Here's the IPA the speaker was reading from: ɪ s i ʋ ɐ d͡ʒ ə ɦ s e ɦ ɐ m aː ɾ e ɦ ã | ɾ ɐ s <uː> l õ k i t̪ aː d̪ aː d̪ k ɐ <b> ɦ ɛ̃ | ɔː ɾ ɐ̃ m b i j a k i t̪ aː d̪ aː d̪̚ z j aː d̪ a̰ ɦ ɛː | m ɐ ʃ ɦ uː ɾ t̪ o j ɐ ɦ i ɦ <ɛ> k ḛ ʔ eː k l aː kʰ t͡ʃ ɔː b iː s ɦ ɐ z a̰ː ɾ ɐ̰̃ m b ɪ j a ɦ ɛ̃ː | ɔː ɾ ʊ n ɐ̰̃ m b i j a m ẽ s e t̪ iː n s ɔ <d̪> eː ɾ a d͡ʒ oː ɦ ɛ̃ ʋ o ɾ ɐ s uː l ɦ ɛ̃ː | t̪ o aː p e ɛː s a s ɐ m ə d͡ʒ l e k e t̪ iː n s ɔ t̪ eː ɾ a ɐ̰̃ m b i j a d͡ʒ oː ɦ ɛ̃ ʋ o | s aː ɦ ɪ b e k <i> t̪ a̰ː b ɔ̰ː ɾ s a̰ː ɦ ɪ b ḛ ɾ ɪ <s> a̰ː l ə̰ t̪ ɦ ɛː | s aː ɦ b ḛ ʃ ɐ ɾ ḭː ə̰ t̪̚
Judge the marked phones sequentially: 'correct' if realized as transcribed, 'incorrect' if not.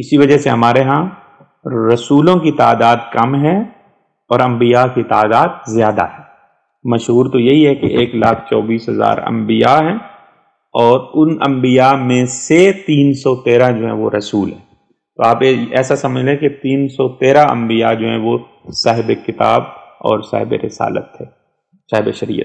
correct, incorrect, correct, incorrect, incorrect, correct

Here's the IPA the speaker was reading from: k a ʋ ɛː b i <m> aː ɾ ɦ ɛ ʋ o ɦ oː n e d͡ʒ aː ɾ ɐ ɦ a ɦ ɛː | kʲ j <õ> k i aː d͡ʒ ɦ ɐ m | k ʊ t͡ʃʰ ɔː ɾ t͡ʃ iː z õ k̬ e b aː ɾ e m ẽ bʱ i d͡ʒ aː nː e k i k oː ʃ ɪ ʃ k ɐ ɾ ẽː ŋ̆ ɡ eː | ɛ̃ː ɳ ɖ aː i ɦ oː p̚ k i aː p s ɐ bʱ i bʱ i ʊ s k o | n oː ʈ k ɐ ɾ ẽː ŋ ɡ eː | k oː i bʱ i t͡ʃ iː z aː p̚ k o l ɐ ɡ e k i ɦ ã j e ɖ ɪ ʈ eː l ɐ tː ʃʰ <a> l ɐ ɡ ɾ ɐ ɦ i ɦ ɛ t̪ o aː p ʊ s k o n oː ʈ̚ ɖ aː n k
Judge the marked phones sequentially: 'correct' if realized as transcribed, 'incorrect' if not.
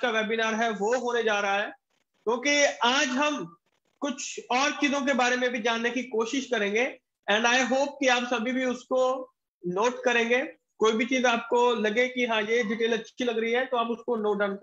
incorrect, incorrect, incorrect

